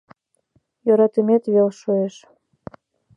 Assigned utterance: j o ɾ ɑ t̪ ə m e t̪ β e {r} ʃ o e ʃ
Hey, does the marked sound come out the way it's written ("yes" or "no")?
no